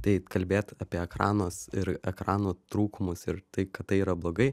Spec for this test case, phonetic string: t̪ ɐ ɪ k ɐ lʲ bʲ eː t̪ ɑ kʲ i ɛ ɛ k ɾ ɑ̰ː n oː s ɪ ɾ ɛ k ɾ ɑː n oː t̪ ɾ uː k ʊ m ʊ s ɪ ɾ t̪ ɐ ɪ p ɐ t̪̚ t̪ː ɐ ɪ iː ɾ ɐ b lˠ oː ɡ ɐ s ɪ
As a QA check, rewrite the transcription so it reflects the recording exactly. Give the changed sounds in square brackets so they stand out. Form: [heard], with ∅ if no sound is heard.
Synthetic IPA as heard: t̪ ɐ ɪ k ɐ lʲ bʲ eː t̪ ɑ [pʲ] i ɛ ɛ k ɾ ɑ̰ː n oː s ɪ ɾ ɛ k ɾ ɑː n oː t̪ ɾ uː k ʊ m ʊ s ɪ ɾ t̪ ɐ ɪ [k] ɐ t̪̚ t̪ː ɐ ɪ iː ɾ ɐ b lˠ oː ɡ ɐ [∅] ɪ